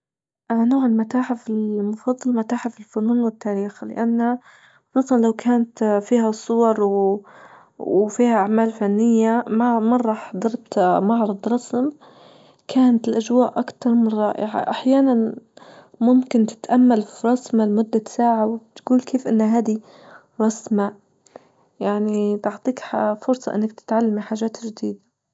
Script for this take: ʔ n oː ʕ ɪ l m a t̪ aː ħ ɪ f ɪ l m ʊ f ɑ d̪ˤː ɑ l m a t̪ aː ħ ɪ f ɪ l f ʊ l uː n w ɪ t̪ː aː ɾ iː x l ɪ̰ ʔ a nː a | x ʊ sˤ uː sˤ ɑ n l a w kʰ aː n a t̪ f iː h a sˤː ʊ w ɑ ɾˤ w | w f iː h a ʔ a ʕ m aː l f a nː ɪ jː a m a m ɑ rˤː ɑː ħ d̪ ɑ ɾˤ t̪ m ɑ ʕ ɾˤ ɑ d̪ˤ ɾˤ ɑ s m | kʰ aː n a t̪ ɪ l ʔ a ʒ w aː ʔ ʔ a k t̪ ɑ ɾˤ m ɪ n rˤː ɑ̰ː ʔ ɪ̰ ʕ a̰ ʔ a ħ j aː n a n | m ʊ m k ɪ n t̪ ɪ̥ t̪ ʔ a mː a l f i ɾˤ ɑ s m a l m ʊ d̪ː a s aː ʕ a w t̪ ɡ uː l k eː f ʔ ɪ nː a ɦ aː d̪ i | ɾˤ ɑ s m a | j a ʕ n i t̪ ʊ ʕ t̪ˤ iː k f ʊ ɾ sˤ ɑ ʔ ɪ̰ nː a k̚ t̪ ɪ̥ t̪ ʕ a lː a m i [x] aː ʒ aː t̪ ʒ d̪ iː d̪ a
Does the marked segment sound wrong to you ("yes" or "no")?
yes